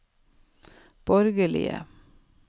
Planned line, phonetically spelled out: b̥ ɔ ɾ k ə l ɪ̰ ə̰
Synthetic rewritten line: b̥ ɔ ɾ ɡ ə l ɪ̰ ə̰